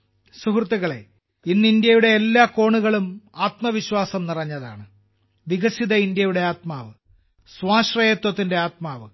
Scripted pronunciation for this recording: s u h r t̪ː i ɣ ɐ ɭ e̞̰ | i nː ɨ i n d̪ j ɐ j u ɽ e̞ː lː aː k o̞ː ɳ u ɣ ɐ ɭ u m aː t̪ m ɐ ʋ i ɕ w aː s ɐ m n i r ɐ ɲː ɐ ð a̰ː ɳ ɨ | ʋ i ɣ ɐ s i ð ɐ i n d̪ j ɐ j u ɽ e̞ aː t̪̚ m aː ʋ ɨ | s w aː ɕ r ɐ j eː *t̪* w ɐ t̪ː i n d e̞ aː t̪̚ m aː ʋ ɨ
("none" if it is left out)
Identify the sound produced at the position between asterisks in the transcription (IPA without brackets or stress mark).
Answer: t̪